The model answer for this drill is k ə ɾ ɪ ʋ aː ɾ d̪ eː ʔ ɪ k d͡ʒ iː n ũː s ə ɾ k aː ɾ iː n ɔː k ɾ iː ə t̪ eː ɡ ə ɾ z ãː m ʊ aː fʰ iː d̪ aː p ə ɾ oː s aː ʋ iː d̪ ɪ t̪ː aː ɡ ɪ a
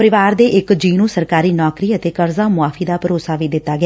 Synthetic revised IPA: p ə ɾ ɪ ʋ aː ɾ d̪ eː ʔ ɪ k d͡ʒ iː n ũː s ə ɾ k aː ɾ iː n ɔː k ɾ iː ə t̪ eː k ə ɾ z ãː m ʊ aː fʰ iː d̪ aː p ə ɾ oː s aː ʋ iː d̪ ɪ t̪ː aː ɡ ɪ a